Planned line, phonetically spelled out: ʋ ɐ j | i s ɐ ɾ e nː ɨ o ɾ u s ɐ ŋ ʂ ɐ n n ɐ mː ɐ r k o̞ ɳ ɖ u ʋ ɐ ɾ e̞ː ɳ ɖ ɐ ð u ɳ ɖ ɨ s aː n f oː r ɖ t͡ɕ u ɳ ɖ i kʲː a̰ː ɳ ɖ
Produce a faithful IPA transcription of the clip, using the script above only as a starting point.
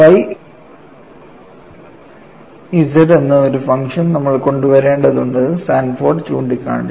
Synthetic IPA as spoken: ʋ ɐ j | i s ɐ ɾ e nː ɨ o ɾ u f ɐ ŋ ʂ ɐ n n ɐ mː ɐ ɭ k o̞ ɳ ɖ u ʋ ɐ ɾ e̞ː ɳ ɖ ɐ ð u ɳ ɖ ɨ s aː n f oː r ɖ t͡ɕ uː ɳ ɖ i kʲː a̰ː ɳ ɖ